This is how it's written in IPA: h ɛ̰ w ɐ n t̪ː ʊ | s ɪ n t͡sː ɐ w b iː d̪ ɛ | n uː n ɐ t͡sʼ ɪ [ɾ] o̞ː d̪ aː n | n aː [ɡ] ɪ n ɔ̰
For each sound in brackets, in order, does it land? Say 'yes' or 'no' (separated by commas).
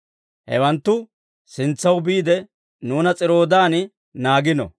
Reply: yes, yes